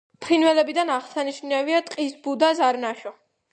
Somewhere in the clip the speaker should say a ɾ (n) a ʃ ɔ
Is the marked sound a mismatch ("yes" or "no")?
no